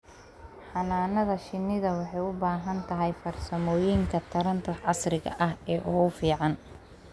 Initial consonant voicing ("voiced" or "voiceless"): voiceless